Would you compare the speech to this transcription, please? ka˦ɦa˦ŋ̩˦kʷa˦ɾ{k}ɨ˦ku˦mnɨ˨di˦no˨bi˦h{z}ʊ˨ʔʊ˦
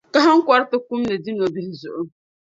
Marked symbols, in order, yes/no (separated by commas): no, yes